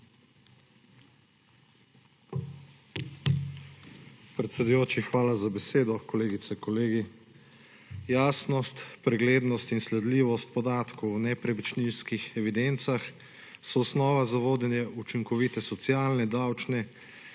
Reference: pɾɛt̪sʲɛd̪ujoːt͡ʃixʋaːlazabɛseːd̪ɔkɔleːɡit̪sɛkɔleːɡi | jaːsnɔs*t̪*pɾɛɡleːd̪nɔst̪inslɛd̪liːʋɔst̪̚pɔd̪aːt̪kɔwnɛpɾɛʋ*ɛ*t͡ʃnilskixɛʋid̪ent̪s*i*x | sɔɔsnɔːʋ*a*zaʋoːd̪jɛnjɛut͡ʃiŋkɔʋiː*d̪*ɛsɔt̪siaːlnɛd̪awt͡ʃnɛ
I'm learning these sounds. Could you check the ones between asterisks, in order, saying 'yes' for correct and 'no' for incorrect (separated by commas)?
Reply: yes, no, no, yes, no